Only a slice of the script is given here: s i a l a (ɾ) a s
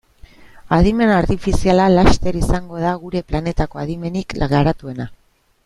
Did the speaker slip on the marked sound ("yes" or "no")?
yes